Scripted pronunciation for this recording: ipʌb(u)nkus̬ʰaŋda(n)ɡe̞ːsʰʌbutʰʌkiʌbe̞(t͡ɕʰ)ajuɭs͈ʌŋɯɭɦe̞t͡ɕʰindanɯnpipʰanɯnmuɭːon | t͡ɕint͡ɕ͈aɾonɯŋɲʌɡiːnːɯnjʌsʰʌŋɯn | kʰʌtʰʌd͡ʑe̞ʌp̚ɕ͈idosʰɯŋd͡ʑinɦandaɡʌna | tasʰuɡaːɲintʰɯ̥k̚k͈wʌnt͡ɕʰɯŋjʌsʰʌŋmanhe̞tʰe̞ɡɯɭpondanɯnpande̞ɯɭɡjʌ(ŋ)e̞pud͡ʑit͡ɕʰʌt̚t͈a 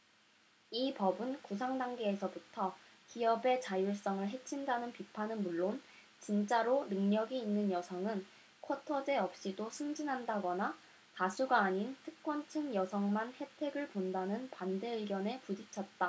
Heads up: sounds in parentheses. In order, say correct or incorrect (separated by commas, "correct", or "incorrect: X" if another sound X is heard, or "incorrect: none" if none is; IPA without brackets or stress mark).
incorrect: ɯ, incorrect: ŋ, incorrect: t͡ɕ, incorrect: n